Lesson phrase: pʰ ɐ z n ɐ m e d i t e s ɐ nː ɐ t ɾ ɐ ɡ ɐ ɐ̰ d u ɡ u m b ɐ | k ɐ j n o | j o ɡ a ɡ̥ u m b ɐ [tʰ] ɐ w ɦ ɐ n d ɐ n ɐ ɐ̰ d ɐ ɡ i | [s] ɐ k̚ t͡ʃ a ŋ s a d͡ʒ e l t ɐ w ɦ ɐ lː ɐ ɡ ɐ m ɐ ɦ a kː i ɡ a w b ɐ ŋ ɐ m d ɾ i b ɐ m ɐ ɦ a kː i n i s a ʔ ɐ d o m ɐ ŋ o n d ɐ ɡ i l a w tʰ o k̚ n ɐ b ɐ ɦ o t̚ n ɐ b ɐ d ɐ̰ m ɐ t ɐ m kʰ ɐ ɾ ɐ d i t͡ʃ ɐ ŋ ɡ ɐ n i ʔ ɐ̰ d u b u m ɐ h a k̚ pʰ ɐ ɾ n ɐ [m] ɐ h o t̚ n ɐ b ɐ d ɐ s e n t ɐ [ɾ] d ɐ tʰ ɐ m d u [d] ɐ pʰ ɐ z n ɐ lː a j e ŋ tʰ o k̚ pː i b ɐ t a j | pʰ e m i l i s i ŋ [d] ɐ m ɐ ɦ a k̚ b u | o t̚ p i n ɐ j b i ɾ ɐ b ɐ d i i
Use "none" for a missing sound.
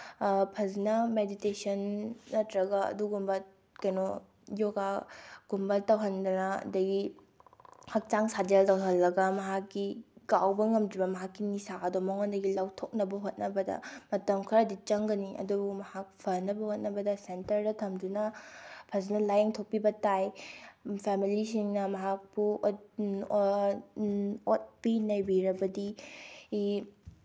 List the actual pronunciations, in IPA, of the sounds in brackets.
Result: t, h, b, ɾ, n, n

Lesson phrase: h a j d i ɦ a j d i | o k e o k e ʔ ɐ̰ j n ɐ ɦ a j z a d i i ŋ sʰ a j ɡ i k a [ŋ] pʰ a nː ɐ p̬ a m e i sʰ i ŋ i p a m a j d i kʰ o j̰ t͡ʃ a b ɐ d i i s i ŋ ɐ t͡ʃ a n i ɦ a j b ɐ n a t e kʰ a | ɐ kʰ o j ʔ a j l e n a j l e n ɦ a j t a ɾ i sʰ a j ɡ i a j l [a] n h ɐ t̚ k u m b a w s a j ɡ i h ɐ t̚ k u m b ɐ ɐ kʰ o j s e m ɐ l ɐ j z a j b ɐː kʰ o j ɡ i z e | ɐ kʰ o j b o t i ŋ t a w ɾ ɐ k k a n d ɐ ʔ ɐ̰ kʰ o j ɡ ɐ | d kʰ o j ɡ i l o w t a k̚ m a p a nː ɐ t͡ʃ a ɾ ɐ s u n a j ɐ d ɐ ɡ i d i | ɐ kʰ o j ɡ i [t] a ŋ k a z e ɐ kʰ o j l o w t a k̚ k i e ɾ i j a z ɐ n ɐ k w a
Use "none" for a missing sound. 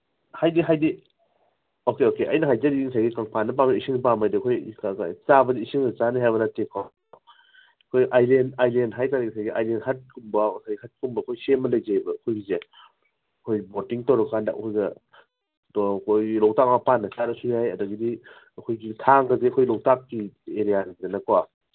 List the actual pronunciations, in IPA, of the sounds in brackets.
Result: ŋ, e, tʰ

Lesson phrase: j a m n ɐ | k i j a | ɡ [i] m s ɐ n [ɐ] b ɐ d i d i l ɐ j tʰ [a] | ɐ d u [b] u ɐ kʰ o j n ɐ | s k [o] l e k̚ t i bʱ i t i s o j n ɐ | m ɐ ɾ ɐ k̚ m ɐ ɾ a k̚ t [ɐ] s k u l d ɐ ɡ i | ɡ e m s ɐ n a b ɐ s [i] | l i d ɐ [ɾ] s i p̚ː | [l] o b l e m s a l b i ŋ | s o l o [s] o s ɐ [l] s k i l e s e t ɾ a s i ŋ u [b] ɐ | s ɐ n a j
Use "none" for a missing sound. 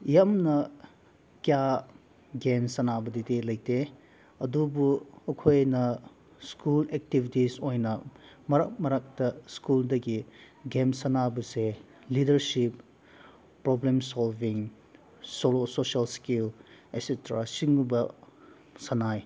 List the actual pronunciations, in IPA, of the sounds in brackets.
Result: e, a, e, b, u, ɐ, e, ɾ, ɾ, s, l, b

